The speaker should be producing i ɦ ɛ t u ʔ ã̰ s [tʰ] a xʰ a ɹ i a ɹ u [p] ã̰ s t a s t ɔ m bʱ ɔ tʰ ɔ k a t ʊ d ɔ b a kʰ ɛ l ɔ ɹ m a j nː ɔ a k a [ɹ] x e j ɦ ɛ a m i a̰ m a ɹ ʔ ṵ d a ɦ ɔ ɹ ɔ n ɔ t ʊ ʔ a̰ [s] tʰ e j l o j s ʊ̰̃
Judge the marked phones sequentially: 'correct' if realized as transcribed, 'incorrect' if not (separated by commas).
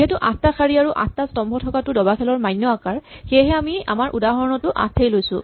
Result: incorrect, incorrect, correct, correct